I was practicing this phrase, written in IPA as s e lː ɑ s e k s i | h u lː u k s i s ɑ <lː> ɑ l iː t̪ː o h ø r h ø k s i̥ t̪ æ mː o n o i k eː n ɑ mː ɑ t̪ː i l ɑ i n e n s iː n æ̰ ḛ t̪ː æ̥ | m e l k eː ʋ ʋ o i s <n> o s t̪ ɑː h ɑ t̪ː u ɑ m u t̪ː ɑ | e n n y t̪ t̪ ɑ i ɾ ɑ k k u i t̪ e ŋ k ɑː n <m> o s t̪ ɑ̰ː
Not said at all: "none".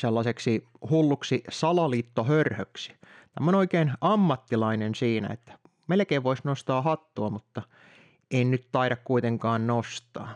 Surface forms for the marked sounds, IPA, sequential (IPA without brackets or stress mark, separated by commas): l, n, n